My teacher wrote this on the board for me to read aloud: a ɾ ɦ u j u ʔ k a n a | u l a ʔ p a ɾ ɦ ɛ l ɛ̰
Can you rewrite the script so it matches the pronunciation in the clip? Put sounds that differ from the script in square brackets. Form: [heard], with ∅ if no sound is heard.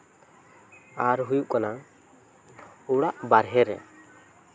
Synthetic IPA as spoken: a ɾ ɦ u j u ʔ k a n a | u [ɽ] a ʔ [b] a ɾ ɦ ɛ [ɾ] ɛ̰